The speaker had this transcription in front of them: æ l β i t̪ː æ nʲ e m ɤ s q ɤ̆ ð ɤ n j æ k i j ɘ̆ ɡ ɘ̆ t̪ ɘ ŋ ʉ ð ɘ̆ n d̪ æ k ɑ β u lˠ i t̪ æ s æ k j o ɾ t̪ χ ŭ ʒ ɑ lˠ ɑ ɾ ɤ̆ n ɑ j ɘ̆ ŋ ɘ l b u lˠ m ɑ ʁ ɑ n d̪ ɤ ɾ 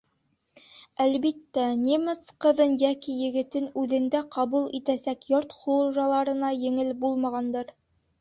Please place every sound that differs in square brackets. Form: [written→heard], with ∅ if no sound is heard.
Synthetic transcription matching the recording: æ l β i t̪ː æ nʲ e m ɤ s q ɤ̆ ð ɤ n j æ k i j ɘ̆ ɡ ɘ̆ t̪ ɘ [ŋ→n] ʉ ð ɘ̆ n d̪ æ [k→q] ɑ β u lˠ i t̪ æ s æ k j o ɾ t̪ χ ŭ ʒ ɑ lˠ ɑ ɾ ɤ̆ n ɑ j ɘ̆ ŋ ɘ l b u lˠ m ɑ ʁ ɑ n d̪ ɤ ɾ